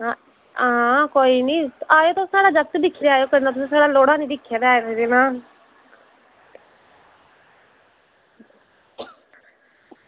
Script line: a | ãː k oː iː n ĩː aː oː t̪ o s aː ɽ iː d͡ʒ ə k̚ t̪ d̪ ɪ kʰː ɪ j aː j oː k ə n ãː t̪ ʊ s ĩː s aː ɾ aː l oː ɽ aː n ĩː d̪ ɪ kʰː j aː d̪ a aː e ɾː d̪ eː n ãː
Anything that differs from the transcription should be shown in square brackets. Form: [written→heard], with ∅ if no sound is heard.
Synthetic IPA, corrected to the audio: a | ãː k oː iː n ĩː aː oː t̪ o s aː ɽ [iː→aː] d͡ʒ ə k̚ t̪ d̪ ɪ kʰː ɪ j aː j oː k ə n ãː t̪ ʊ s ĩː s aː [ɾ→ɽ] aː l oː ɽ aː n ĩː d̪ ɪ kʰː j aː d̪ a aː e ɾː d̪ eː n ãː